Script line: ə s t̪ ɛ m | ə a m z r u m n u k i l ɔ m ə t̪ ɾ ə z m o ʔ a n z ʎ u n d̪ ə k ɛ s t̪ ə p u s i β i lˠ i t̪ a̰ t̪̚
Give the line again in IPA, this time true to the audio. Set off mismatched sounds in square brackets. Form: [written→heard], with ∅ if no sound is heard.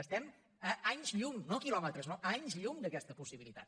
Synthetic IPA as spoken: ə s t̪ ɛ m | ə a [m→ɲ] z [r→ʎ] u [m→ŋ] n [u→o] k i l ɔ m ə t̪ ɾ ə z [m→n] o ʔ a [n→ɲ] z ʎ u [n→ŋ] d̪ ə k ɛ s t̪ ə p u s i β i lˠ i t̪ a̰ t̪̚